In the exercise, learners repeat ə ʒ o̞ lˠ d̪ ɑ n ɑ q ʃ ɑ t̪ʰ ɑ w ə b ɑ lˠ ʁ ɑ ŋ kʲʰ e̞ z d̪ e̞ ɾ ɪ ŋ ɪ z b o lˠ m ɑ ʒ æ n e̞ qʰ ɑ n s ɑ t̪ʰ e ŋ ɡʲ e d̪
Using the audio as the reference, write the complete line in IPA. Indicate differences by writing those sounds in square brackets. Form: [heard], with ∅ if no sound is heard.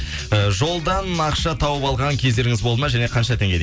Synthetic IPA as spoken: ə ʒ o̞ lˠ d̪ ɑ n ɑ q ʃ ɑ t̪ʰ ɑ w ə [p] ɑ lˠ ʁ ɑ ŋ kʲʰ e̞ z d̪ e̞ ɾ ɪ ŋ ɪ z b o lˠ m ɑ ʒ æ n e̞ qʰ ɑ n [ʃ] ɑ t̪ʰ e ŋ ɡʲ e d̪